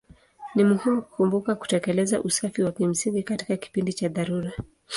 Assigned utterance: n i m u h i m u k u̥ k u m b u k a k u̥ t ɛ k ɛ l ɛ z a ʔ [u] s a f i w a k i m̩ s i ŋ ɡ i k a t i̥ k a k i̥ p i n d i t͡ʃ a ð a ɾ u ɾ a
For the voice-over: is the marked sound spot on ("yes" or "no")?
yes